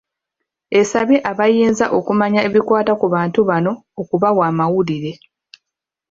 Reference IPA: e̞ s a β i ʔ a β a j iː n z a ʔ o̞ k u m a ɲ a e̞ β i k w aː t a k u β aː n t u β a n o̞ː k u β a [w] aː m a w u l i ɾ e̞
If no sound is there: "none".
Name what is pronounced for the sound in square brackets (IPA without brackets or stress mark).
w